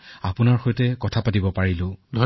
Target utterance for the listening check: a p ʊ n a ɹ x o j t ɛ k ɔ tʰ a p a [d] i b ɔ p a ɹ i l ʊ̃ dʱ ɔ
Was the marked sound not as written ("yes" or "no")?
yes